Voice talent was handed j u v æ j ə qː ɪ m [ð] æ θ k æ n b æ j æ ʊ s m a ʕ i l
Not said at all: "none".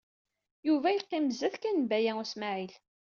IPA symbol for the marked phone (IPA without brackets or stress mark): z